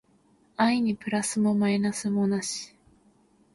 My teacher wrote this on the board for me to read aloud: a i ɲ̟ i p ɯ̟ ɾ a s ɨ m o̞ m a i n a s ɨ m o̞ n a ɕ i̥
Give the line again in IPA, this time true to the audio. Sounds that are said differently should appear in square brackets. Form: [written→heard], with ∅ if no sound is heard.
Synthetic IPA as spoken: a i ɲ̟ i p ɯ̟ ɾ a s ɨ m o̞ m a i n a s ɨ m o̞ n a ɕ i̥